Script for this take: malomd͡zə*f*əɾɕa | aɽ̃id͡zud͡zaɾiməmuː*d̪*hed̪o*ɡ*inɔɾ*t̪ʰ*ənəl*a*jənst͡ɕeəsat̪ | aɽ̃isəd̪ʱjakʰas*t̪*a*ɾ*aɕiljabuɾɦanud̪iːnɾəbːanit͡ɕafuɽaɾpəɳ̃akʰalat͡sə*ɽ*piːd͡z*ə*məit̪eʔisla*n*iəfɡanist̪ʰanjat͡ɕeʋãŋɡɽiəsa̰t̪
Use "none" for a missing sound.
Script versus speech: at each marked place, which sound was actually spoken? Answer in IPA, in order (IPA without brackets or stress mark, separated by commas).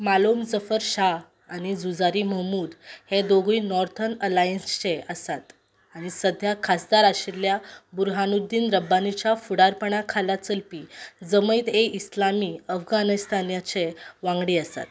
f, d̪, ɡ, t̪ʰ, a, d̪, ɾ, l, ə, m